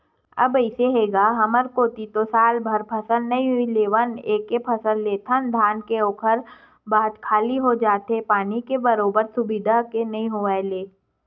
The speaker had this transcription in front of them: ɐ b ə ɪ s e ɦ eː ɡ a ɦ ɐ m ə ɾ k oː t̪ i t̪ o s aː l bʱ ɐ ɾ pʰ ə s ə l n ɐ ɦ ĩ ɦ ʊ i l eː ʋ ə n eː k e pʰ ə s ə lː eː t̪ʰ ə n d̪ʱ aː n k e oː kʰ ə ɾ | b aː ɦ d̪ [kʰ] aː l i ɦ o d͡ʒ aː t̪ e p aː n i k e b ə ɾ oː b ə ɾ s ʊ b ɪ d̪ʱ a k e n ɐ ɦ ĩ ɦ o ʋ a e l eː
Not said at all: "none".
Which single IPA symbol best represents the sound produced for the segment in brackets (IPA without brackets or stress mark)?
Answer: kʰ